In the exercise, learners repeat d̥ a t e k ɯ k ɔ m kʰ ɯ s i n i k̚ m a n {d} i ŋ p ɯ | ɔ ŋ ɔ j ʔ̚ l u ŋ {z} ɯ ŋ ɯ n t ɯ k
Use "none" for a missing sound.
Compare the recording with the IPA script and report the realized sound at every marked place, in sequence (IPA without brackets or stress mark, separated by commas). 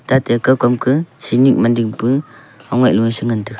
d, s